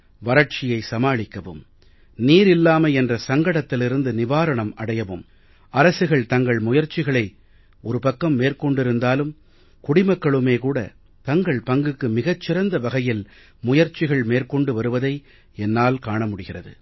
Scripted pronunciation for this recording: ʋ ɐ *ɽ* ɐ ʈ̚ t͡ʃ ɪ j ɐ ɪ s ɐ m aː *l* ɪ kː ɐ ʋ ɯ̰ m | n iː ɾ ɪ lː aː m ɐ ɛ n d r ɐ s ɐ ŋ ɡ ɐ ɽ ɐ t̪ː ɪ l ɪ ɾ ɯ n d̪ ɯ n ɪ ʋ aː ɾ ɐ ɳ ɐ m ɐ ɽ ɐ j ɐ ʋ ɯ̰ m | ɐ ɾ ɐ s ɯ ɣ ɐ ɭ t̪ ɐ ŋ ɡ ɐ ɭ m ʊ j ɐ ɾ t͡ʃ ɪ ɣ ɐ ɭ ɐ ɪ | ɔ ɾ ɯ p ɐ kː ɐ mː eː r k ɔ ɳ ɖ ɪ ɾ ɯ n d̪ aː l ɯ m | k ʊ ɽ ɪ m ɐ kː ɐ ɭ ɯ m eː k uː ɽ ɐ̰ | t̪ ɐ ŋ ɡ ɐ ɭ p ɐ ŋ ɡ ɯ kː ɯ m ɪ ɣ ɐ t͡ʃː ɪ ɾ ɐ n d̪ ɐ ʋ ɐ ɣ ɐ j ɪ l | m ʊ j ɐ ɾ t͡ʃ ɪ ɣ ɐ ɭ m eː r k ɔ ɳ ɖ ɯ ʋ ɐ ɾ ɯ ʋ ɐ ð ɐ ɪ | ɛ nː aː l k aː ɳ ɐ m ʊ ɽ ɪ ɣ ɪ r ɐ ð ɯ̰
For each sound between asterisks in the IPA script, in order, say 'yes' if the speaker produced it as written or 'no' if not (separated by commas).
no, no